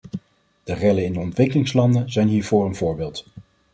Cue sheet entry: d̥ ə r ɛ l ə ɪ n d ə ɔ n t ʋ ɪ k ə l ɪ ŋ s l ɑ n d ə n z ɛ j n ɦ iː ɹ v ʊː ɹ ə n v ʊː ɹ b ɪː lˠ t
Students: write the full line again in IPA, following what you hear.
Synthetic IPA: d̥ ə r ɛ l ə ɪ n d ə ɔ n t ʋ ɪ k ə l ɪ ŋ s l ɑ n d ə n z ɛ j n ɦ iː ɹ v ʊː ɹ ə n v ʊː ɹ b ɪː lˠ t